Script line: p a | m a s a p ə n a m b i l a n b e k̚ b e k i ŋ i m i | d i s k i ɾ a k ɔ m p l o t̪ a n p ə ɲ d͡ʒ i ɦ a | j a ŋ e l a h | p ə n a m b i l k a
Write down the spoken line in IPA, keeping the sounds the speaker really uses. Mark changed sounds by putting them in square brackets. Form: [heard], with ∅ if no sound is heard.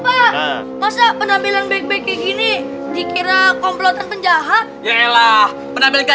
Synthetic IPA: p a | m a s a p ə n a m b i l a n b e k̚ b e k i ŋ i [n] i | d i [∅] k i ɾ a k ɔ m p l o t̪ a n p ə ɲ d͡ʒ [a] ɦ a | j a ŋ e l a h | p ə n a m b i l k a